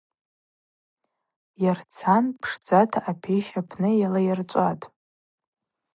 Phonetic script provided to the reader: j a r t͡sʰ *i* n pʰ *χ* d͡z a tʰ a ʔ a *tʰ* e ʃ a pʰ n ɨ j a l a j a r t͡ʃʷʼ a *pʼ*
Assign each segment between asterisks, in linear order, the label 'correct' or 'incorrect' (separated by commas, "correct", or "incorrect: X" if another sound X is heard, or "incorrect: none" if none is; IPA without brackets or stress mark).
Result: incorrect: a, incorrect: ʂ, incorrect: pʰ, incorrect: tʼ